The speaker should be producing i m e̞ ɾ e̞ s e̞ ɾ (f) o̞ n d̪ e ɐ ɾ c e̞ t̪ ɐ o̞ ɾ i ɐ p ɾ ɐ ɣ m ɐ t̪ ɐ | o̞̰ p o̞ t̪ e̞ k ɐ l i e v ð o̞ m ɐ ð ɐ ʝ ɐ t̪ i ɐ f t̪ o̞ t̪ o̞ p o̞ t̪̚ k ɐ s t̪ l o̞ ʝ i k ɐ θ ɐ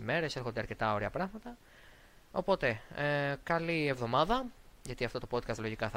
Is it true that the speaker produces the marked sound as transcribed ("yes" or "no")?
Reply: no